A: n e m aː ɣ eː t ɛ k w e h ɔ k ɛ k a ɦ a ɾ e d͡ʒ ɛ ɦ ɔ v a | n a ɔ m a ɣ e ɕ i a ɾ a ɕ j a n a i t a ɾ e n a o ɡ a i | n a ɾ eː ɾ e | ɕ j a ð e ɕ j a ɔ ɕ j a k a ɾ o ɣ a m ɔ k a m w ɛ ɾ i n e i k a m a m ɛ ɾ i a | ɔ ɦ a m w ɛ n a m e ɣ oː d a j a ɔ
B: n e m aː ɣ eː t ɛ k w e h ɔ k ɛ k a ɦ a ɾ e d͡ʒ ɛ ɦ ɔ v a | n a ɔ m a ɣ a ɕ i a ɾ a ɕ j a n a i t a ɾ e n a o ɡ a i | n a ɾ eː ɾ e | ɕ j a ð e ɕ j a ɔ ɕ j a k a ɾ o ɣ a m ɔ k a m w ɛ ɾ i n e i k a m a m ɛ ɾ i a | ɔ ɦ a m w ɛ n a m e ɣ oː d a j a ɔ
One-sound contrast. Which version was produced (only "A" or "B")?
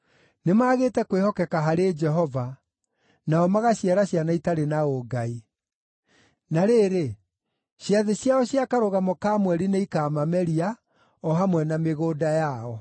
B